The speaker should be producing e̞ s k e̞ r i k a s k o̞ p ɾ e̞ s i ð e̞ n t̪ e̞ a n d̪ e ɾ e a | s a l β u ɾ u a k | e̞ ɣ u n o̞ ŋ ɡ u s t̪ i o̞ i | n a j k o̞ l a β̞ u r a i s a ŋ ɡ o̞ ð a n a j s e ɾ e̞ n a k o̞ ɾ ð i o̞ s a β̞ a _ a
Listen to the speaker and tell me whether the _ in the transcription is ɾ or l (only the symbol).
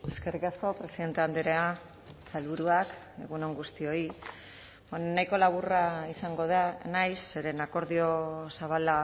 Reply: l